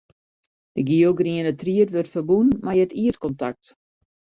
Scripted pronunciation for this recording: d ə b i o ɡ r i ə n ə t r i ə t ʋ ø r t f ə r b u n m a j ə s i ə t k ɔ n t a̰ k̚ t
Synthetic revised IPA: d ə ɡ i o ɡ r i ə n ə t r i ə t ʋ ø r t f ə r b u n m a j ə t i ə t k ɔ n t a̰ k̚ t